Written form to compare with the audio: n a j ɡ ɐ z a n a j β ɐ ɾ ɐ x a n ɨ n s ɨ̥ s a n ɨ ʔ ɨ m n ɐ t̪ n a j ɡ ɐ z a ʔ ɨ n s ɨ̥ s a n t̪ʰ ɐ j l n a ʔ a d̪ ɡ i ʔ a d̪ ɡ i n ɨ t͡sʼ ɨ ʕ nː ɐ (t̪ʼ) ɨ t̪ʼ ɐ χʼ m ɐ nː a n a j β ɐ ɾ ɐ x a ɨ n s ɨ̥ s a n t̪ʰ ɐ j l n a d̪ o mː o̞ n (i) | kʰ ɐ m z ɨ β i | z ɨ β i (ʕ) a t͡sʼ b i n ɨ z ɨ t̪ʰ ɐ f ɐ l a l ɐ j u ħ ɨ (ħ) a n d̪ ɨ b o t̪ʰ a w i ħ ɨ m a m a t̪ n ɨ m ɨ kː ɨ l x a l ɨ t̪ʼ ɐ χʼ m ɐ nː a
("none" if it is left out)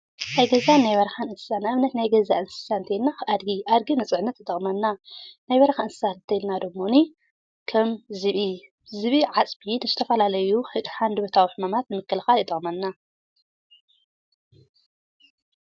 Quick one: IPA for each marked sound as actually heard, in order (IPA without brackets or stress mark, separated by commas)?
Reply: t̪, i, ʕ, ħ